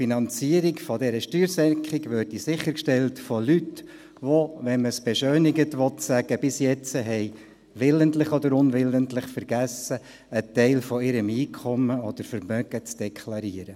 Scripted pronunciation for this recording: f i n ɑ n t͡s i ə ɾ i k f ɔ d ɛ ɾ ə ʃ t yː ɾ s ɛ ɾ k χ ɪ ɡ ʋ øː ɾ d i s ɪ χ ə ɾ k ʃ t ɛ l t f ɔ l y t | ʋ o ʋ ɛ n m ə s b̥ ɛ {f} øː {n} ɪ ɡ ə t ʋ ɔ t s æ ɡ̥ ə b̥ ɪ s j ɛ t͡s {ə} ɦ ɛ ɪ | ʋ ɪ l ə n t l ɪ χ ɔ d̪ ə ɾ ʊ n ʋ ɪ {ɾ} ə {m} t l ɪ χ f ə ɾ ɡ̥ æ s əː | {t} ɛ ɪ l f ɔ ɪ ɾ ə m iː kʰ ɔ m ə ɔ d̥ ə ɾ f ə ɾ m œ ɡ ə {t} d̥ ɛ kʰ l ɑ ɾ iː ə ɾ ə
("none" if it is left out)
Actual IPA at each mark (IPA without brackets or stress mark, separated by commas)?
ʃ, n, ə, l, n, t, t͡s